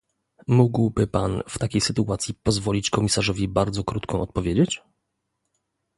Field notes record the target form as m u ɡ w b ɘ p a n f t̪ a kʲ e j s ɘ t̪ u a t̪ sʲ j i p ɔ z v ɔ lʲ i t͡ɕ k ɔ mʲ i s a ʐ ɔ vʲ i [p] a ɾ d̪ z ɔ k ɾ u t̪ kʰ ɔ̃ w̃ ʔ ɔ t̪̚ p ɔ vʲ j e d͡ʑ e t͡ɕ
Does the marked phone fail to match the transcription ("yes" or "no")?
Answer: yes